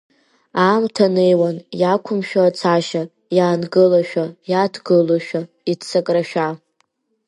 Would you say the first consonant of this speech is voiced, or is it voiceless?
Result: voiced